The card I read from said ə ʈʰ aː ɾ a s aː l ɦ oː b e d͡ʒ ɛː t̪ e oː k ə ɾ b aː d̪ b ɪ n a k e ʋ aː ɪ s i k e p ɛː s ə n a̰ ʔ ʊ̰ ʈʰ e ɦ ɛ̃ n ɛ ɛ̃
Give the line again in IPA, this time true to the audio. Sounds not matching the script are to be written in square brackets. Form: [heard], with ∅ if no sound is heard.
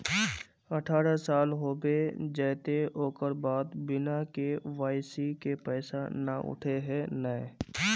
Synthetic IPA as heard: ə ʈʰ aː ɾ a s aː l ɦ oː b e d͡ʒ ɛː t̪ e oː k ə ɾ b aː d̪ b ɪ n a k e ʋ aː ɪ s i k e p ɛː s [a] n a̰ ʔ ʊ̰ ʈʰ e ɦ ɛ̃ n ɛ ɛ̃